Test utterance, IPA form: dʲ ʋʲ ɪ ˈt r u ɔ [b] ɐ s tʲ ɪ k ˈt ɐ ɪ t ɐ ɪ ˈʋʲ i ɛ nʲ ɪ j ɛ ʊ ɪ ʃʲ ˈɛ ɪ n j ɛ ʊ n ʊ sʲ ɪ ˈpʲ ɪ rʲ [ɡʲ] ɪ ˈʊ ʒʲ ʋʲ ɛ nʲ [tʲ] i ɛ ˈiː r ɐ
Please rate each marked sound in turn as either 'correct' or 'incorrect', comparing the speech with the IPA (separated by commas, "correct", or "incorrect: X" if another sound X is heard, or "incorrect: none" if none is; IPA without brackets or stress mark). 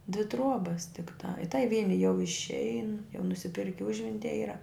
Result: correct, incorrect: kʲ, correct